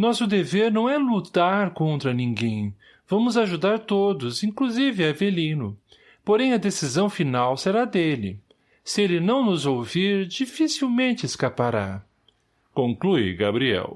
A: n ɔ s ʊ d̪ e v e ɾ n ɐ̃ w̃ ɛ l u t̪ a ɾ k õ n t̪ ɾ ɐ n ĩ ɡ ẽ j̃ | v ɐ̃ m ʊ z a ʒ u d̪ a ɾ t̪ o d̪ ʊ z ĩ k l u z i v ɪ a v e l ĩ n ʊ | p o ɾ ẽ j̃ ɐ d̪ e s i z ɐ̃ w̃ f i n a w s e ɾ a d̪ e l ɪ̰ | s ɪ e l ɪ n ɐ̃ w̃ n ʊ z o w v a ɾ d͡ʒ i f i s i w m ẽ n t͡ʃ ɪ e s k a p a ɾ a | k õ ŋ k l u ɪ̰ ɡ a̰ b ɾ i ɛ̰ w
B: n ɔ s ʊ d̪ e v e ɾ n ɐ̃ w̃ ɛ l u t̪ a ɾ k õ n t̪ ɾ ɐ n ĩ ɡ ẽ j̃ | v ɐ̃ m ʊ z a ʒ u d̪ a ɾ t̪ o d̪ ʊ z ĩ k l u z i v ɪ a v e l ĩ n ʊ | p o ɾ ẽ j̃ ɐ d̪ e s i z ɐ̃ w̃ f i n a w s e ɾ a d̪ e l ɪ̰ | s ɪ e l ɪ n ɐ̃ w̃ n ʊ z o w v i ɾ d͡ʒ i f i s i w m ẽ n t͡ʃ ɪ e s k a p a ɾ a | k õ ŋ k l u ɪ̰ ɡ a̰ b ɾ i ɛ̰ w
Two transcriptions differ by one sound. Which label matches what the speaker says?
B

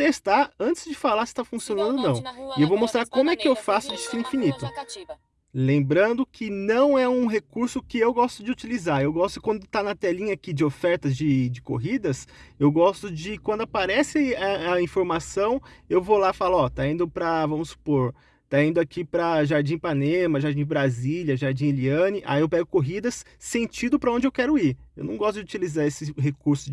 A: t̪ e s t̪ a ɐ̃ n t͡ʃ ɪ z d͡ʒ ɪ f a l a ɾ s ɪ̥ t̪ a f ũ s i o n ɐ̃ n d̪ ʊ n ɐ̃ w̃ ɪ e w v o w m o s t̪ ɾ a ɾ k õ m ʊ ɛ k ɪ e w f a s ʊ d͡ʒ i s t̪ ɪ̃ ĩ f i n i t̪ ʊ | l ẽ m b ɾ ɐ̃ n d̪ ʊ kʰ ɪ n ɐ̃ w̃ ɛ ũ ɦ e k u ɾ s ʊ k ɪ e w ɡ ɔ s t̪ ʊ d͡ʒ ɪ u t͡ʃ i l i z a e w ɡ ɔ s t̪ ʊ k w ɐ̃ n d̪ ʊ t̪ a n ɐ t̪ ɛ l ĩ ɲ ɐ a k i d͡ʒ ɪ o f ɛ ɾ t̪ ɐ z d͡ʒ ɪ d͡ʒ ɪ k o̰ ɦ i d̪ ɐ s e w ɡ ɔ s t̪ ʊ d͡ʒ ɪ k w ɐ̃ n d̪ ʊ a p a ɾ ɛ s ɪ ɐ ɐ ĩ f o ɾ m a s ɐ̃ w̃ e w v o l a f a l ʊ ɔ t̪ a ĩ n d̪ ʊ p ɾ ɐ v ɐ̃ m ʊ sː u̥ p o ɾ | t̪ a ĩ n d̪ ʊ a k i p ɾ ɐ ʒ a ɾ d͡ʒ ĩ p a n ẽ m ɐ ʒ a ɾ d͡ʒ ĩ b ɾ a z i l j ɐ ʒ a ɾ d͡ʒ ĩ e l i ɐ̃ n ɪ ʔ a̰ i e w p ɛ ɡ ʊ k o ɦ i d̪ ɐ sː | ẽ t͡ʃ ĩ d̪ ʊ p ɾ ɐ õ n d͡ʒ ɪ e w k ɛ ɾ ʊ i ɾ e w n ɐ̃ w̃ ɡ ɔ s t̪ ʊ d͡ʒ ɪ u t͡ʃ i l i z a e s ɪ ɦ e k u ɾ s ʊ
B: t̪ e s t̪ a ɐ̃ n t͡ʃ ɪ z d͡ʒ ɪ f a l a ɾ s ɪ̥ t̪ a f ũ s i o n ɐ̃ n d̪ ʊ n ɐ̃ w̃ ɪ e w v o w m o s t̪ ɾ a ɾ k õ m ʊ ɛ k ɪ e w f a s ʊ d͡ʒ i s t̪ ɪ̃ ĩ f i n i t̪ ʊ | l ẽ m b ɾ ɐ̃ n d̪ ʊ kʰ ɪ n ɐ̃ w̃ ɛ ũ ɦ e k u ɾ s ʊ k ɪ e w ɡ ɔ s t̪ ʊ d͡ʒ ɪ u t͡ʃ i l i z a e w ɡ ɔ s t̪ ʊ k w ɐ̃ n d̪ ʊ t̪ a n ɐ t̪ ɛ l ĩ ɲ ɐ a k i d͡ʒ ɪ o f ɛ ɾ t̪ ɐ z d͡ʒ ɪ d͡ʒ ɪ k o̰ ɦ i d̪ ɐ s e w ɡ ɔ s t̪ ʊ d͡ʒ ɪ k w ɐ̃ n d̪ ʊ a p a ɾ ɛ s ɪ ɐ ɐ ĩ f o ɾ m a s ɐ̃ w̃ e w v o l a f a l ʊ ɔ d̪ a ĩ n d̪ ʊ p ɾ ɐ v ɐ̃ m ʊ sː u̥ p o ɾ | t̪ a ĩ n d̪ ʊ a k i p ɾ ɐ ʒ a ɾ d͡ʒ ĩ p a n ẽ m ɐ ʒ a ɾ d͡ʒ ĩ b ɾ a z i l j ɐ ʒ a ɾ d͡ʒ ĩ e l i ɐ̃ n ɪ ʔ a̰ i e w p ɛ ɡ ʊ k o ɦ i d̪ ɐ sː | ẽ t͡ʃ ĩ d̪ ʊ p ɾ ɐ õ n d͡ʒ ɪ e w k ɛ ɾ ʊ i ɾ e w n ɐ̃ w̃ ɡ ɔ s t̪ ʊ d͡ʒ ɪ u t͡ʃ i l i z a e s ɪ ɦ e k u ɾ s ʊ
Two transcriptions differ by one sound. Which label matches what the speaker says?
A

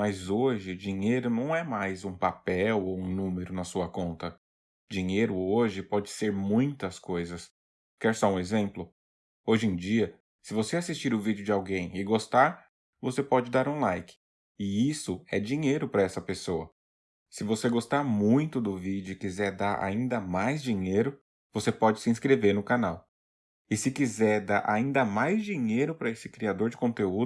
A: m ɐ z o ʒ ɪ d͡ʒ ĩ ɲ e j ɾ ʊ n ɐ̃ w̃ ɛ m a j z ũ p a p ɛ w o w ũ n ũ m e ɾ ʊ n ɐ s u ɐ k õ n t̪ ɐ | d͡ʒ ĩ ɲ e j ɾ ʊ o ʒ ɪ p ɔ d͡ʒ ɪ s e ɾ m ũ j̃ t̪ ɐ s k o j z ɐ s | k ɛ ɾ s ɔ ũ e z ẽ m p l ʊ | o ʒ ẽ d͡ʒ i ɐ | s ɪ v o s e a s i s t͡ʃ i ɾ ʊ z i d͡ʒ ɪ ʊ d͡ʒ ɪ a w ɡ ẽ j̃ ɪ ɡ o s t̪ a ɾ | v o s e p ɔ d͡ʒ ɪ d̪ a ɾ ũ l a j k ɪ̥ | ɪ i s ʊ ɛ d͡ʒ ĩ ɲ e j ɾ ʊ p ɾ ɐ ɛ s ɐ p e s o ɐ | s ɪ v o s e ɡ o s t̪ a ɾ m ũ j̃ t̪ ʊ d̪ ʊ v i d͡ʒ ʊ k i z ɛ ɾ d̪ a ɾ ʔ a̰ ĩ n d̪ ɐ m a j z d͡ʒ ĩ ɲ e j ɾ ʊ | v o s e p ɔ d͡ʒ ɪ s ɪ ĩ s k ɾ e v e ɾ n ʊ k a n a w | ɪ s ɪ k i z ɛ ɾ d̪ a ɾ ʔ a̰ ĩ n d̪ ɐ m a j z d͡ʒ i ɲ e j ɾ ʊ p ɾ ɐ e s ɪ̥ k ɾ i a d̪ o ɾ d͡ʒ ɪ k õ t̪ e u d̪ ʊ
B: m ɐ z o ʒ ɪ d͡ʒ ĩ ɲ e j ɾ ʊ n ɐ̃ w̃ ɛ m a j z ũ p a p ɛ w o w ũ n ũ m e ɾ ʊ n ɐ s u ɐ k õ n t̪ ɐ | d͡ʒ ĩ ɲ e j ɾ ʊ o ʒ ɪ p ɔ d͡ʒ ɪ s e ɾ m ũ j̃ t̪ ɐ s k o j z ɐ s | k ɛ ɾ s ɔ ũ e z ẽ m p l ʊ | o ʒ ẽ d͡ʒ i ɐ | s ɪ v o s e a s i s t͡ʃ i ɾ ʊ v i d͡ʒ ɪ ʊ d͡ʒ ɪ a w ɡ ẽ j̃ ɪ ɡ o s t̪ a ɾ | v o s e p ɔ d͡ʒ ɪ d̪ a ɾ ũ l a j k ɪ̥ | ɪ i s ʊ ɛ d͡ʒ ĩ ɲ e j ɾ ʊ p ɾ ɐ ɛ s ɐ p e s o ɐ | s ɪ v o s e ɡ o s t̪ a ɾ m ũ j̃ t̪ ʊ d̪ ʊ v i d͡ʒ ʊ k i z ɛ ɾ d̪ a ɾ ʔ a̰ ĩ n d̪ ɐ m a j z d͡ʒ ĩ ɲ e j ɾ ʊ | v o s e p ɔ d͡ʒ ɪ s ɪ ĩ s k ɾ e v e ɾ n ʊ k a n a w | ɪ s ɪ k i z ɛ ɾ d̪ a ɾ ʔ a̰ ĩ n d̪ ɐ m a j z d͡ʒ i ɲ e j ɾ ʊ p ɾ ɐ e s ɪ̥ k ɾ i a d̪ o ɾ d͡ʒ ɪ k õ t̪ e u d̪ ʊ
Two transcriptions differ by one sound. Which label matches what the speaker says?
B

